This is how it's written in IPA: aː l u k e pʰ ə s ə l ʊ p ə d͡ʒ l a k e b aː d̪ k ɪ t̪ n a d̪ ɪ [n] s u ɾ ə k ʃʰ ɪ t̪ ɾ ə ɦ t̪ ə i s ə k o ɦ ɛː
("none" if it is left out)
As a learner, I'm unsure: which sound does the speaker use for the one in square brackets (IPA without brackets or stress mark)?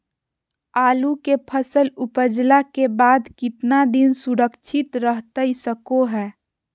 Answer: n